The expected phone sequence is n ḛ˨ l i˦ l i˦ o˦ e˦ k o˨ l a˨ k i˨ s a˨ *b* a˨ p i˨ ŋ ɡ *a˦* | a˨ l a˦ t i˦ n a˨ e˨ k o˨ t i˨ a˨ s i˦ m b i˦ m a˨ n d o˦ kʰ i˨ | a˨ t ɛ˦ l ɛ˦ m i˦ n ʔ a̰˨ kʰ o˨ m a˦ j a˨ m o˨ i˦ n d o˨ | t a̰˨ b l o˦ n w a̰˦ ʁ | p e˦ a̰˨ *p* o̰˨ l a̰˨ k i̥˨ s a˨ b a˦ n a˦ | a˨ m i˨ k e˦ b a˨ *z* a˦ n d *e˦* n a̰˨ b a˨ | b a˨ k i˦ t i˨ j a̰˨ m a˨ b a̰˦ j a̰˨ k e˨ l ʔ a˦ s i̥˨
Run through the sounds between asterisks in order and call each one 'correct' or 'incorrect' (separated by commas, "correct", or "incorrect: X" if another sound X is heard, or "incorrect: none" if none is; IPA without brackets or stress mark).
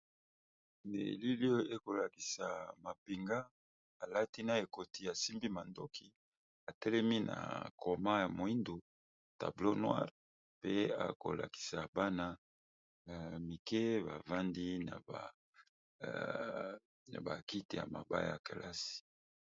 incorrect: m, correct, incorrect: k, incorrect: v, incorrect: i˦